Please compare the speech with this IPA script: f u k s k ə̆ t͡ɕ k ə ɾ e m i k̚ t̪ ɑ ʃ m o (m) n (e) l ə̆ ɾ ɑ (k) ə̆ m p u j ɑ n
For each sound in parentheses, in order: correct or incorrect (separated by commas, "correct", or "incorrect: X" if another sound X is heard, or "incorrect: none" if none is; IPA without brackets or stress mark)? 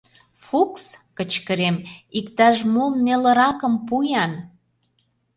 correct, correct, correct